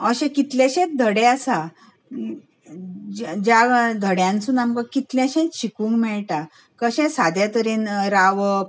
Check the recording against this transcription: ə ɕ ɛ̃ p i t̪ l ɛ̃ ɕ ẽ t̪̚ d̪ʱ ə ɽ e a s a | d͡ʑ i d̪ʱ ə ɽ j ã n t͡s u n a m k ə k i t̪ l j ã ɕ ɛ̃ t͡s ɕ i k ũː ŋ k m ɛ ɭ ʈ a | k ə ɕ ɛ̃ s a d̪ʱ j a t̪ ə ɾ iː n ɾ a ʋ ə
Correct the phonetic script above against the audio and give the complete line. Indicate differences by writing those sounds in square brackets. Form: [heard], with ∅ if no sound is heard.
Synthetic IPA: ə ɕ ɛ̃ [k] i t̪ l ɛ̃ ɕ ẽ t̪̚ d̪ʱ ə ɽ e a s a | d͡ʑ [a] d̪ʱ ə ɽ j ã n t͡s u n a m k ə k i t̪ l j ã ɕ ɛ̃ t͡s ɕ i k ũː ŋ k m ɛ ɭ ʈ a | k ə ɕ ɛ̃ s a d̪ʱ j a t̪ ə ɾ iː n ɾ a ʋ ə